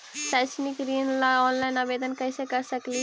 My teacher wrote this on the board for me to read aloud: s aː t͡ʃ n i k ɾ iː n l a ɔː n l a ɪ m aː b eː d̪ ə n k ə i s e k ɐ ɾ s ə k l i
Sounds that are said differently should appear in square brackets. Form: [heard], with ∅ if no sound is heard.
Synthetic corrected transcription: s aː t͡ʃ n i k ɾ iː n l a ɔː n l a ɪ [n] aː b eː d̪ ə n k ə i s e k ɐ ɾ s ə k l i